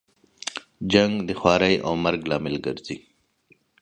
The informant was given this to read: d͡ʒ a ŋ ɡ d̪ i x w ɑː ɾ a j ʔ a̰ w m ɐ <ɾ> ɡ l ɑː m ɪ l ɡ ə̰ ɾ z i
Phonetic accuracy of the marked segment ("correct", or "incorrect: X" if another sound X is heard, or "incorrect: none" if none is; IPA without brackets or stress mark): correct